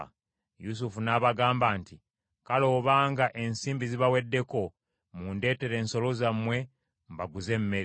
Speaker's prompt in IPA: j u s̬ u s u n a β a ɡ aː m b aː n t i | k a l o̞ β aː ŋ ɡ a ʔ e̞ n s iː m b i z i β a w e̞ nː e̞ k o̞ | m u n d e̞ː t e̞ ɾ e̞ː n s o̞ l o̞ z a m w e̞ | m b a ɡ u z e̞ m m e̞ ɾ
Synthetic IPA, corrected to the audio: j u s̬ u f u n a β a ɡ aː m b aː n t i | k a l o̞ β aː ŋ ɡ a ʔ e̞ n s iː m b i z i β a w e̞ dː e̞ k o̞ | m u n d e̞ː t e̞ ɾ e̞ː n s o̞ l o̞ z a m w e̞ | m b a ɡ u z e̞ m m e̞ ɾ